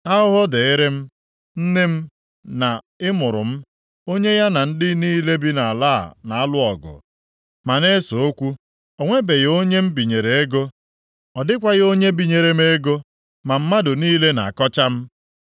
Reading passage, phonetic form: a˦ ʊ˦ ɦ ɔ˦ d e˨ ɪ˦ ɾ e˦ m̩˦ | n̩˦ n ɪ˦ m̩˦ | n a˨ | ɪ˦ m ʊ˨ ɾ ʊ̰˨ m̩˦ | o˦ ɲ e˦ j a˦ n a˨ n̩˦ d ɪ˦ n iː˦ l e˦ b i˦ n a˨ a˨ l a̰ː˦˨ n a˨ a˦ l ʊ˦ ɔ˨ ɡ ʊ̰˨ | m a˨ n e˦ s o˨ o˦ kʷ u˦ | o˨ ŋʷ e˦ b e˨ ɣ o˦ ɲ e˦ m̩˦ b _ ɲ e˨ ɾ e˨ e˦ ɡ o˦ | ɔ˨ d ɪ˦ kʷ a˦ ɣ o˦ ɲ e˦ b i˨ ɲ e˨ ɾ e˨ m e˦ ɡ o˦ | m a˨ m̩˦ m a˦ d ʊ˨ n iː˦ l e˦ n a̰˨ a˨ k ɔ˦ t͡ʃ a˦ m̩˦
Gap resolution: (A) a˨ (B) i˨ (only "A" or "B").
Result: B